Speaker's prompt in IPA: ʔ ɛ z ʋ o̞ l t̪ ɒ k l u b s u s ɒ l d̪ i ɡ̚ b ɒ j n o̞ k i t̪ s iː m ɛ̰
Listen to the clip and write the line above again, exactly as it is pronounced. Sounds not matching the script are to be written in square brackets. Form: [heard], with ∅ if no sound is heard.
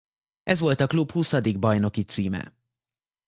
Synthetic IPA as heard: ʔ ɛ z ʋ o̞ l t̪ ɒ k l u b [h] u s ɒ [∅] d̪ i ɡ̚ b ɒ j n o̞ k i t̪ s iː m ɛ̰